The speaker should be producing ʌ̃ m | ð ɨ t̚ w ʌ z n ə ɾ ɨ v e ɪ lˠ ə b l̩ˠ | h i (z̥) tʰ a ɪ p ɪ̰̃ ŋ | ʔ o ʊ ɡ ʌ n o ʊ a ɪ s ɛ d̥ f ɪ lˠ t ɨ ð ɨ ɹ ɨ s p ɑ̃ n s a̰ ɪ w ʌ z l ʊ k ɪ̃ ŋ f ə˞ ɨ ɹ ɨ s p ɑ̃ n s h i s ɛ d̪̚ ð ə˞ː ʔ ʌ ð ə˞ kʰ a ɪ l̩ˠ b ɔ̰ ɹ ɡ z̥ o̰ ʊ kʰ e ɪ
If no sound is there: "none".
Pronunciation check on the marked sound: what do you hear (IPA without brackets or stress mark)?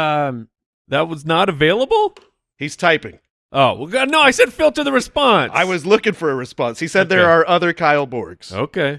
z̥